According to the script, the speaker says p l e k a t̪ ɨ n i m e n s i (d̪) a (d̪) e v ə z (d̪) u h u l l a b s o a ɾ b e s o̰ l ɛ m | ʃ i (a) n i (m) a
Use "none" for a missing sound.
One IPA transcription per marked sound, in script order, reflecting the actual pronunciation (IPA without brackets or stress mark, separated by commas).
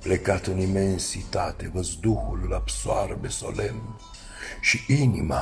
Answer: t̪, t̪, d̪, i, m